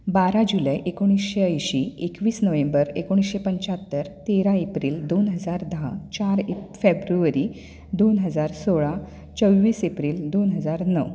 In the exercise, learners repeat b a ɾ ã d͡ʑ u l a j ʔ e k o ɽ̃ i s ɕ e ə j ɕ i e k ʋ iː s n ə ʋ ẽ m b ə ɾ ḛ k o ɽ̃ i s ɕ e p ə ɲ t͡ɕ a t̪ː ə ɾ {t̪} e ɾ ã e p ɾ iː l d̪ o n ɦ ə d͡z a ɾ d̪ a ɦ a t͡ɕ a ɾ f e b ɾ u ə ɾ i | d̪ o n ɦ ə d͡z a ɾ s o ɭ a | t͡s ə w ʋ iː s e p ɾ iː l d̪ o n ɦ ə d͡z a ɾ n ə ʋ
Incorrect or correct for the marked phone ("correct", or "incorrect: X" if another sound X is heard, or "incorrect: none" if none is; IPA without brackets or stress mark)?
correct